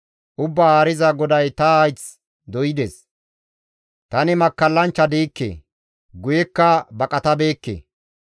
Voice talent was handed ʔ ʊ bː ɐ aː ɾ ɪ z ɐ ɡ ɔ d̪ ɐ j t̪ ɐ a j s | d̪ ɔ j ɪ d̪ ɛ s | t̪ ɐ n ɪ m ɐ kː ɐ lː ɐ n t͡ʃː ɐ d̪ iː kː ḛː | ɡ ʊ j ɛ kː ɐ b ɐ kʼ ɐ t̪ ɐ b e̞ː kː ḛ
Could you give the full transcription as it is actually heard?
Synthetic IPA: ʔ ʊ bː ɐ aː ɾ ɪ z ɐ ɡ ɔ d̪ ɐ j t̪ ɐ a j t͡s | d̪ ɔ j ɪ d̪ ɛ s | t̪ ɐ n ɪ m ɐ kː ɐ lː ɐ n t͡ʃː ɐ d̪ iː kː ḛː | ɡ ʊ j ɛ kː ɐ b ɐ kʼ ɐ t̪ ɐ b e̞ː kː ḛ